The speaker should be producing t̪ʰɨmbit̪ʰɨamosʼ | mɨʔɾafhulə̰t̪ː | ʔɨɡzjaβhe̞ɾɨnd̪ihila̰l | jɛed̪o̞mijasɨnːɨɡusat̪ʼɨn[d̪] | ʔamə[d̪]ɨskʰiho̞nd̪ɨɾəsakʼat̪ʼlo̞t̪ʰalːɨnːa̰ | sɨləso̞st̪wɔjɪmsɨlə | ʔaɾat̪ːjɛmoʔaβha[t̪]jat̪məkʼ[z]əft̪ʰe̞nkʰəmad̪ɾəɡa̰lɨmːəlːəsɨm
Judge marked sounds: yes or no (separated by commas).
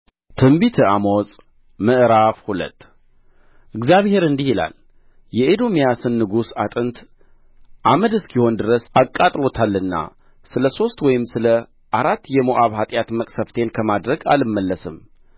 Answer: no, yes, no, no